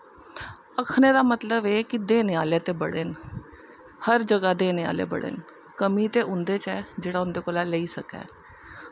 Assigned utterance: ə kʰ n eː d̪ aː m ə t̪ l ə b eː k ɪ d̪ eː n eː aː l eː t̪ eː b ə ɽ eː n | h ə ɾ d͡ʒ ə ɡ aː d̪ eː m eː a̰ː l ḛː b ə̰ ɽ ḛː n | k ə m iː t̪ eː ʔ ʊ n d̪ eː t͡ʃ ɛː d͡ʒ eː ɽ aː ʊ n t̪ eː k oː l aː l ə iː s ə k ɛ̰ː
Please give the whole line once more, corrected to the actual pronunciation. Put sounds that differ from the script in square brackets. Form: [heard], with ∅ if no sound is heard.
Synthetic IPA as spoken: ə kʰ n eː d̪ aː m ə t̪ l ə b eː k ɪ d̪ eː n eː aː l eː t̪ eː b ə ɽ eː n | h ə ɾ d͡ʒ ə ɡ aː d̪ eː [n] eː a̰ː l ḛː b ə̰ ɽ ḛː n | k ə m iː t̪ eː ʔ ʊ n d̪ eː t͡ʃ ɛː d͡ʒ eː ɽ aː ʊ n [d̪] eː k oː l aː l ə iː s ə k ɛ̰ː